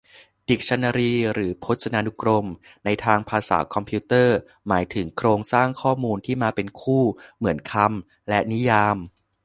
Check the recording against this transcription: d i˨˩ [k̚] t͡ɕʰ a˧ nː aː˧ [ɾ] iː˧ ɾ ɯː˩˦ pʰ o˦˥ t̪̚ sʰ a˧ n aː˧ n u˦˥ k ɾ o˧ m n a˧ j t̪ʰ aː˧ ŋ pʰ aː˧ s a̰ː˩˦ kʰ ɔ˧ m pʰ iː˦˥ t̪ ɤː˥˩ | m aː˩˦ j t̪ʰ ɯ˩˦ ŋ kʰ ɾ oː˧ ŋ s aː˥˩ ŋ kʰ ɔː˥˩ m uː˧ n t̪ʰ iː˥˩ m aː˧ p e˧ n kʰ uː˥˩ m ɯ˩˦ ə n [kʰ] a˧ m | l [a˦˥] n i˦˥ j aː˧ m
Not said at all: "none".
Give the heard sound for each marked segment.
k̚, ɾ, kʰ, ɛ˦˥

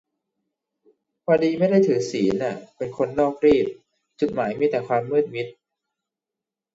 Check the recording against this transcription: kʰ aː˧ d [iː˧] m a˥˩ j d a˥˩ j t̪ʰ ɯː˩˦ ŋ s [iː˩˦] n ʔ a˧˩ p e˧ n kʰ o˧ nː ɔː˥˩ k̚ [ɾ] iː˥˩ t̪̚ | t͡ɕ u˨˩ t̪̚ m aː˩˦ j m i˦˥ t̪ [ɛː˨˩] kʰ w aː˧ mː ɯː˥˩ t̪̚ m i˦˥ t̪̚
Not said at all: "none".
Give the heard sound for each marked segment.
iː˧, iː˩˦, ɾ, ɛː˨˩

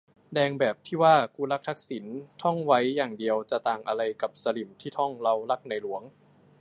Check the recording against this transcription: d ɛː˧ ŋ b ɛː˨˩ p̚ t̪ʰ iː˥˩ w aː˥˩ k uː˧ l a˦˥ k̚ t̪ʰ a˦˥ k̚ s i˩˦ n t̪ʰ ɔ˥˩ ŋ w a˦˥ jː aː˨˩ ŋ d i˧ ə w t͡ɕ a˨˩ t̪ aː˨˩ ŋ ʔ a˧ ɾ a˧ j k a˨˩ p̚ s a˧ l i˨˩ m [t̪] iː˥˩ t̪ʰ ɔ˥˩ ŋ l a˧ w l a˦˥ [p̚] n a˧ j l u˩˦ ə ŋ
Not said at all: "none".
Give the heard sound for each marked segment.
t̪ʰ, k̚

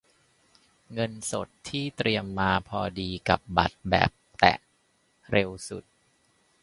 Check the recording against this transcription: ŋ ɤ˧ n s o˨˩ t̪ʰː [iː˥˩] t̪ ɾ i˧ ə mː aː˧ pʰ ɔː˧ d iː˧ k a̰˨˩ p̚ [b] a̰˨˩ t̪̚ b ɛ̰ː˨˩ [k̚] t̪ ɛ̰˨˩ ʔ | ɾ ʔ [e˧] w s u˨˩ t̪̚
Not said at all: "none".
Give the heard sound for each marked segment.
iː˥˩, b, p̚, e˧

